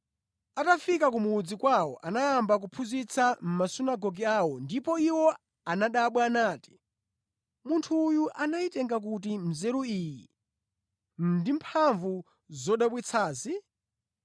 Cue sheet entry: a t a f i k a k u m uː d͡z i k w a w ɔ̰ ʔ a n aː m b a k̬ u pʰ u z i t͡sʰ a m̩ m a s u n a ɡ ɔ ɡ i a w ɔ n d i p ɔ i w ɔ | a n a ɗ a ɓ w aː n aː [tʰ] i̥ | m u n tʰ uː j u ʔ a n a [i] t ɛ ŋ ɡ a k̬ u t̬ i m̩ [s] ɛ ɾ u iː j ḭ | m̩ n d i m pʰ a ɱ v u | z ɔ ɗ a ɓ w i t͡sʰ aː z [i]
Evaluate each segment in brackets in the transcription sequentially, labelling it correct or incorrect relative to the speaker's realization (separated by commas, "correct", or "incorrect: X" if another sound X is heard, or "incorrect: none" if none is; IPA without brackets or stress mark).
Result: incorrect: t, correct, incorrect: z, correct